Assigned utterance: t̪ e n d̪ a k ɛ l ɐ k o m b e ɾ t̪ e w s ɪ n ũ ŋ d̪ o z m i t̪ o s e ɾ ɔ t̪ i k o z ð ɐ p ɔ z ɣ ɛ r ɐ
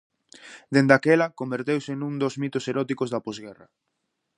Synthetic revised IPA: d̪ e n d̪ a k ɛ l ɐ k o m b e ɾ t̪ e w s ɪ n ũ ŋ d̪ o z m i t̪ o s e ɾ ɔ t̪ i k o z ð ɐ p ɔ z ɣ ɛ r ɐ